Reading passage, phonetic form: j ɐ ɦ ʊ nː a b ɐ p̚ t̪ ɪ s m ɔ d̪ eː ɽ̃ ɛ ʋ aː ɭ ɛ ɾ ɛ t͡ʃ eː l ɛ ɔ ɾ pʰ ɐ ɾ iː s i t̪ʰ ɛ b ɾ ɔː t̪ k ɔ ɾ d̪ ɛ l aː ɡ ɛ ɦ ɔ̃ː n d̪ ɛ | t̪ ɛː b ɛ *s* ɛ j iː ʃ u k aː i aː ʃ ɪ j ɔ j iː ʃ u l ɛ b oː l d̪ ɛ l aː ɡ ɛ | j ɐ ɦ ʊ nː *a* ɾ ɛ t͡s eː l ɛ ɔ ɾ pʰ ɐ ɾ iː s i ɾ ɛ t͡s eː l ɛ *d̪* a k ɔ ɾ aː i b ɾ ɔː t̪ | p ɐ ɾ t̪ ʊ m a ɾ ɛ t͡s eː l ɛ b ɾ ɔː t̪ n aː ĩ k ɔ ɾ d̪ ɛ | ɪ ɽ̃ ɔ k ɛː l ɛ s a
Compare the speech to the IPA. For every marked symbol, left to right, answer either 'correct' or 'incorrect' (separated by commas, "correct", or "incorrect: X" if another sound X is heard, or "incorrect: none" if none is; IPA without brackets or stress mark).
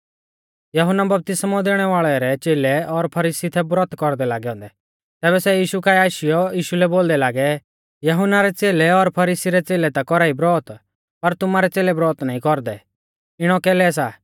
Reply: correct, correct, incorrect: t̪